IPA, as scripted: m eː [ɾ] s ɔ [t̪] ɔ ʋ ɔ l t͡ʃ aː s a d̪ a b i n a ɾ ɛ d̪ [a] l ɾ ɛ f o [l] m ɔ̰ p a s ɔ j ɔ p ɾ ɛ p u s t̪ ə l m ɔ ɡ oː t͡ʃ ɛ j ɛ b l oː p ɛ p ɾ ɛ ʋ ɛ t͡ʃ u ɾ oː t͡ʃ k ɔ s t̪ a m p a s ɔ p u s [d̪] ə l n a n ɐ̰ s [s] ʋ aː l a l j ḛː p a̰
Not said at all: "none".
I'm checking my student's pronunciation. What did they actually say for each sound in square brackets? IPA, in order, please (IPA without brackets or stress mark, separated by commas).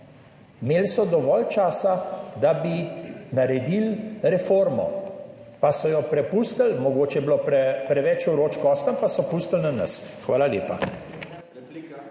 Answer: l, d̪, i, ɾ, t̪, x